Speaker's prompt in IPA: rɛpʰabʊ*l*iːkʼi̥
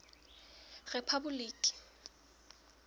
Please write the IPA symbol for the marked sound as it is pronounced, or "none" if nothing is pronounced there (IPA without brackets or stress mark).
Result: l